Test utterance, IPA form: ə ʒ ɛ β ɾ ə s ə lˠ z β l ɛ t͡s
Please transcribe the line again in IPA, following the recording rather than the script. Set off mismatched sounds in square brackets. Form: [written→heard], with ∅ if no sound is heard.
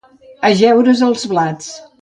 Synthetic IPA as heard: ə ʒ ɛ [β→w] ɾ ə [s→z] ə lˠ z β l [ɛ→a] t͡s